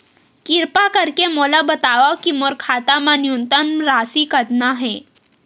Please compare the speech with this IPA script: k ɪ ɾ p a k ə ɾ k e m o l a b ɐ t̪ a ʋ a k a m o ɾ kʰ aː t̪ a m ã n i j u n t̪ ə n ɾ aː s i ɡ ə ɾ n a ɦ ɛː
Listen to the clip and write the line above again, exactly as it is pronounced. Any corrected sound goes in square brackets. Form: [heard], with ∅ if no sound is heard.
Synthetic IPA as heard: k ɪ ɾ p a k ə ɾ k e m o l a b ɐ t̪ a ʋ a k [i] m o ɾ kʰ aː t̪ a m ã n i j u n t̪ ə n ɾ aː s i [k] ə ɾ n a ɦ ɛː